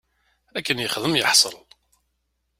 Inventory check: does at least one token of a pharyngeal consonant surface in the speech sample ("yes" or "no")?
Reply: yes